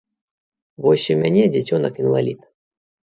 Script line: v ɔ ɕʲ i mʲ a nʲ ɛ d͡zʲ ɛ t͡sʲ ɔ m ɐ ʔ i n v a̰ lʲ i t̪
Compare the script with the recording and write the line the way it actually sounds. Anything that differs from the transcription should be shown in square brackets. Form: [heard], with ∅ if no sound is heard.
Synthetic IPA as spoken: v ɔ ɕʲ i mʲ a nʲ ɛ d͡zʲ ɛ t͡sʲ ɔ [n] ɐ [k] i n v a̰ lʲ i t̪